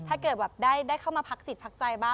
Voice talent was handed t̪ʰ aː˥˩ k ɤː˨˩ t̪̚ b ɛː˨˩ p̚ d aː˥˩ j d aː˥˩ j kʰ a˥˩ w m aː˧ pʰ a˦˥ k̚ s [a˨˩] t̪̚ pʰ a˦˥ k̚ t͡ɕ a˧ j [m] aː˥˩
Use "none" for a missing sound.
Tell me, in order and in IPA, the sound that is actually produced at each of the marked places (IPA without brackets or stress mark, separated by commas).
i˨˩, b